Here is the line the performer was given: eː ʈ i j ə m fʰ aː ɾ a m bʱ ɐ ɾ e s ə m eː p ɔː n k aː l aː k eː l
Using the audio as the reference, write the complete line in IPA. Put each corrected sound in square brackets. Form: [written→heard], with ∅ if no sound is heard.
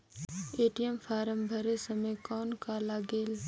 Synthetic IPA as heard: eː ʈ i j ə m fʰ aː ɾ [a→ə] m bʱ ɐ ɾ e s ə m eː [p→k] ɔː n k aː l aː [k→ɡ] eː l